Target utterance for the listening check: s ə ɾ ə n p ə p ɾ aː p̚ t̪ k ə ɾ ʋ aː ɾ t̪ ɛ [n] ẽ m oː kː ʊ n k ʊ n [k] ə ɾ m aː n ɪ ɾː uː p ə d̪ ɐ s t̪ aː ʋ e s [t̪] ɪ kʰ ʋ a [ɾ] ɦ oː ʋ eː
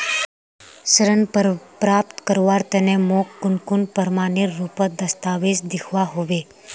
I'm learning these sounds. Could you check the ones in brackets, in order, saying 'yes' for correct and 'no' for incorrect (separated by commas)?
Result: yes, no, no, no